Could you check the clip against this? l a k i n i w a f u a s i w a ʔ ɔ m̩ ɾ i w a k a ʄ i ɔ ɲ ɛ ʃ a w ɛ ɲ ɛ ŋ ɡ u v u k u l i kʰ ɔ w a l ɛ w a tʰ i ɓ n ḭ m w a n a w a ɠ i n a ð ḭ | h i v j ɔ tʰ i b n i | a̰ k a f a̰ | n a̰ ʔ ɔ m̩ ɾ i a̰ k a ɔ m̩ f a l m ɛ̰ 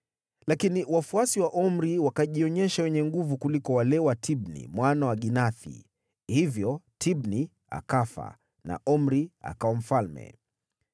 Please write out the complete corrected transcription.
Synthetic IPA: l a k i n i w a f u a s i w a ʔ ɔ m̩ ɾ i w a k a ʄ i ɔ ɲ ɛ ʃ a w ɛ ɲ ɛ ŋ ɡ u v u k u l i k ɔ w a l ɛ w a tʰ i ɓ n ḭ m w a n a w a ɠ i n a θ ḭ | h i v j ɔ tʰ i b n i | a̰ k a f a̰ | n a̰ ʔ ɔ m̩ ɾ i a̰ k a ɔ m̩ f a l m ɛ̰